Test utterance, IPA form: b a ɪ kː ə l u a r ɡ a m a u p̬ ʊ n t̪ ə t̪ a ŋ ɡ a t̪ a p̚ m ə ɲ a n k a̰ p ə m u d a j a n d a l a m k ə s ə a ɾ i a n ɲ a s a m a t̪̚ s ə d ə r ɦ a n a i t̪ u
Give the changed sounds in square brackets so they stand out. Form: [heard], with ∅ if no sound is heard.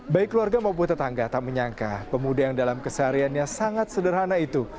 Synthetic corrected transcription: b a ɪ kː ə l u a r ɡ a m a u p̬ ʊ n t̪ ə t̪ a ŋ ɡ a t̪ a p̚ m ə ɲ a [ŋ] k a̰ p ə m u d a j a [ŋ] d a l a m k ə s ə a ɾ i a n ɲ a s a [ŋ] a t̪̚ s ə d ə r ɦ a n a i t̪ u